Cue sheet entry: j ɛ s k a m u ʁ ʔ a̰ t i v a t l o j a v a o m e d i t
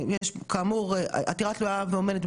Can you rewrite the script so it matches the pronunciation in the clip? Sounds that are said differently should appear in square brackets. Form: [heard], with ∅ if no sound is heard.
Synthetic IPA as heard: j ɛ [ʃ] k a m u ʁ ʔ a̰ t i [ʁ] a t l [u] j a v [e] o m e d [e] t